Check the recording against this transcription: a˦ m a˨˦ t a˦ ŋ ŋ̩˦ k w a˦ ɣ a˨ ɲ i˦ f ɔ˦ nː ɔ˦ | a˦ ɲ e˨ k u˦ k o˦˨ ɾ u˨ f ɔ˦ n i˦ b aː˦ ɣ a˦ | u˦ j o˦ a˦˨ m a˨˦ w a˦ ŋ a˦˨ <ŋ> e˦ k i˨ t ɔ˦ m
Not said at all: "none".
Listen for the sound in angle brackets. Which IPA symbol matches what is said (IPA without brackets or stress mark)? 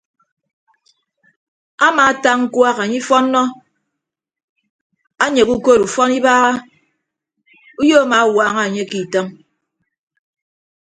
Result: ɲ